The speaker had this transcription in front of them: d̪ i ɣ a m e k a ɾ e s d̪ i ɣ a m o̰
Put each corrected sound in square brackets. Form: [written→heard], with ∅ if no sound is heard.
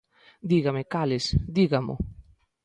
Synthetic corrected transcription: d̪ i ɣ a m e k a [ɾ→l] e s d̪ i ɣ a m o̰